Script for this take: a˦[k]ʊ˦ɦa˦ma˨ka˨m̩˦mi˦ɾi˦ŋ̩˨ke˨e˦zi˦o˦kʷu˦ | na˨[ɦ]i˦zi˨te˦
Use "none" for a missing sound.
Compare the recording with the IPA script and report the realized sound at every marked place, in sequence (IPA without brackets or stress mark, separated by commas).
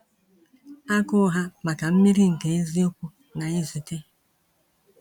k, none